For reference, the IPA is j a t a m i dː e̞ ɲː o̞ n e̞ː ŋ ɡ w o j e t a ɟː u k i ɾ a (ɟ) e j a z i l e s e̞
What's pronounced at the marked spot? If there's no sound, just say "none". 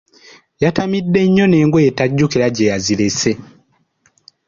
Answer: ɟ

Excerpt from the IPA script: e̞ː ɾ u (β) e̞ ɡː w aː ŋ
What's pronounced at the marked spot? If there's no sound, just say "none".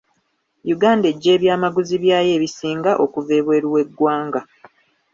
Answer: w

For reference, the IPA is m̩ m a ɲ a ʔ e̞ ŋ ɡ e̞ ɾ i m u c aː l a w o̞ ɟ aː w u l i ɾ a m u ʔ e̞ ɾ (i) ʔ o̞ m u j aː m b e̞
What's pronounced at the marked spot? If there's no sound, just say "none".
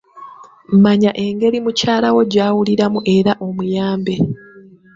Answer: a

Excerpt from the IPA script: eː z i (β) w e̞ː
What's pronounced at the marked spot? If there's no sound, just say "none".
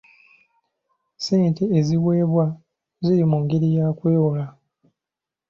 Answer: none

